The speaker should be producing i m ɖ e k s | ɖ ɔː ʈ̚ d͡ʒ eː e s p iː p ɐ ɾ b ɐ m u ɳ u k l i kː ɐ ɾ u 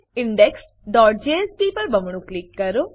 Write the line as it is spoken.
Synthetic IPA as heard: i ɳ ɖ e k s | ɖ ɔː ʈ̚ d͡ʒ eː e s p iː p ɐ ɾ b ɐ m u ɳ u k l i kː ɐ ɾ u